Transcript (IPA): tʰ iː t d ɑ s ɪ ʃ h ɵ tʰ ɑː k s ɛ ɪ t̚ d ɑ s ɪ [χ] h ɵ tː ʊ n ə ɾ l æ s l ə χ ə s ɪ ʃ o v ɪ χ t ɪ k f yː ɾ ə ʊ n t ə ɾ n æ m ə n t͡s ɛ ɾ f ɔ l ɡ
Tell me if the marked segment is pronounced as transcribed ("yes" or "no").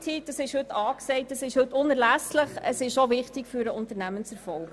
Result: no